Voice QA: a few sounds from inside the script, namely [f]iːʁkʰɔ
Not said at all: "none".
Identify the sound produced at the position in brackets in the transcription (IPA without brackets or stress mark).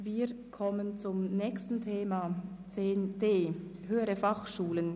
v